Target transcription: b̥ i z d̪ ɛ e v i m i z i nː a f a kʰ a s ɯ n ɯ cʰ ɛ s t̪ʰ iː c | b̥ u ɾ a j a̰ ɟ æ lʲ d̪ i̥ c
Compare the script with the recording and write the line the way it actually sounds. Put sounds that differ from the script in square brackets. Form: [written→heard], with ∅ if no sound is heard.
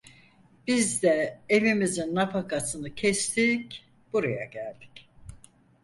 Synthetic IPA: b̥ i z d̪ ɛ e v i m i z i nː a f a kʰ a s ɯ n ɯ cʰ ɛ s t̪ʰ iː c | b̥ u ɾ a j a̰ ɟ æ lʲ d̪ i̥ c